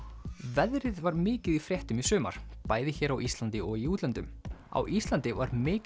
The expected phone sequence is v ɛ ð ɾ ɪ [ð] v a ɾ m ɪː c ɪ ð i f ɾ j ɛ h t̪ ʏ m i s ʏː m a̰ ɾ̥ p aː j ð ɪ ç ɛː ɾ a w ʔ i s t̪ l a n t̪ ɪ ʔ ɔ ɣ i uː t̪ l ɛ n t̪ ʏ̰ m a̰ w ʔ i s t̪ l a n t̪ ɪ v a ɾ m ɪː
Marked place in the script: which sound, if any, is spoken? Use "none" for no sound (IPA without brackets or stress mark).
ð